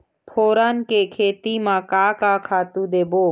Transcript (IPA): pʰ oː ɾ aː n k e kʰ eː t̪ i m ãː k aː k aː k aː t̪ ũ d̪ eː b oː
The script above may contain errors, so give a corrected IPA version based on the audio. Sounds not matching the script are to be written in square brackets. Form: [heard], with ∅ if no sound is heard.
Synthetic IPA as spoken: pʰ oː ɾ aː n k e kʰ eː t̪ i m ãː k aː k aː [kʰ] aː t̪ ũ d̪ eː b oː